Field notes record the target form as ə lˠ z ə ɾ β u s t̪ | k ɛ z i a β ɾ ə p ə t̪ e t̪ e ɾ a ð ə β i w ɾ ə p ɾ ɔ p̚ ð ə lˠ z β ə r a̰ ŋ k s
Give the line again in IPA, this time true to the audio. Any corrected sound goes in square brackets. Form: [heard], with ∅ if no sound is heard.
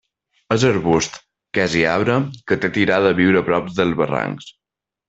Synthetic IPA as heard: ə [∅] z ə ɾ β u s t̪ | k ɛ z i a β ɾ ə [k] ə t̪ e t̪ [i] ɾ a ð ə β i w ɾ ə p ɾ ɔ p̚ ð ə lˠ z β ə r a̰ ŋ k s